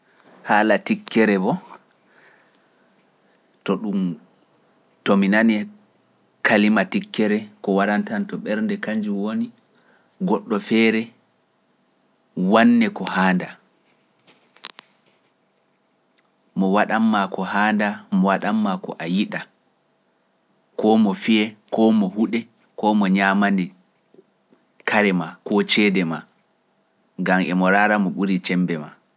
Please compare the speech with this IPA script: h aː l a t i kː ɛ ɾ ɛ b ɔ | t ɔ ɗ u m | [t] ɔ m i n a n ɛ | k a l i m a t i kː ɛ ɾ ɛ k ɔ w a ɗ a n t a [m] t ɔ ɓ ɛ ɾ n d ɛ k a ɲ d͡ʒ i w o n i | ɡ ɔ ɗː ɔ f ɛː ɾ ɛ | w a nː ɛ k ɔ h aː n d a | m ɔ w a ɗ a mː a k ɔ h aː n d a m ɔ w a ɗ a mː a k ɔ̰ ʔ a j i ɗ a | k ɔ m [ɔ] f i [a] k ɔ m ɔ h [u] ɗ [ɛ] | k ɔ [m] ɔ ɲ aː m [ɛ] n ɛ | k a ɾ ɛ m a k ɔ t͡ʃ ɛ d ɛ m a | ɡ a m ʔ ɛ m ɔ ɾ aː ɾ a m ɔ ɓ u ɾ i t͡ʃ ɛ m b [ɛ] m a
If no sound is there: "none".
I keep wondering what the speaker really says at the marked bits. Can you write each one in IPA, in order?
t, n, ɔ, ɛ, u, ɛ, m, a, ɛ

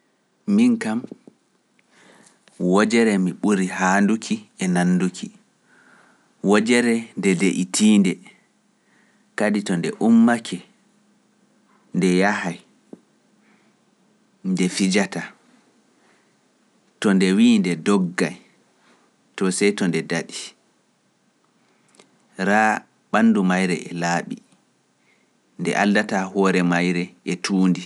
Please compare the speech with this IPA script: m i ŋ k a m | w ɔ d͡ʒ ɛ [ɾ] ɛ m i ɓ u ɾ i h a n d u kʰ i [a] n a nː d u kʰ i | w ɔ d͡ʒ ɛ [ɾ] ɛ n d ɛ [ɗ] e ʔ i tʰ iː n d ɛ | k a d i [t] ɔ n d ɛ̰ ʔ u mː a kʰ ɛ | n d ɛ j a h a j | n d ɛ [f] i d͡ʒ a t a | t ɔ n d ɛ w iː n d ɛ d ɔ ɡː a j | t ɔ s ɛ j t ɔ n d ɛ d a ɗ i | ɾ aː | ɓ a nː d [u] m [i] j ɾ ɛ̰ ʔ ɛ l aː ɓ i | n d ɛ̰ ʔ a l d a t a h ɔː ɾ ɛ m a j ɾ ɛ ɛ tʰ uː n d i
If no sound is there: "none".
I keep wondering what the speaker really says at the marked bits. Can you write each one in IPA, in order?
ɾ, ɛ, ɾ, d, t, f, u, a

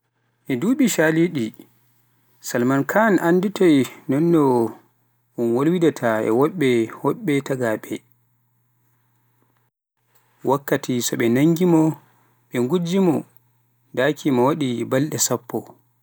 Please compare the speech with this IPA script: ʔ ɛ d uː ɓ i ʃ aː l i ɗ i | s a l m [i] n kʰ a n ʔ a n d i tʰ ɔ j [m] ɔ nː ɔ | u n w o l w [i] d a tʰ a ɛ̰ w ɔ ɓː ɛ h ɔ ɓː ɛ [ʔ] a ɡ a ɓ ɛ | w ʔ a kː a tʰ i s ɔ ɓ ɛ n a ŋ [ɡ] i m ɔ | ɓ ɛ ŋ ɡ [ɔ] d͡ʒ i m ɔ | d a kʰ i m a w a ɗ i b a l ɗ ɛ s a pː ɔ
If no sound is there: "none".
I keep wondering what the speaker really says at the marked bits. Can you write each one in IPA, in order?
a, n, i, t, ɡ, u

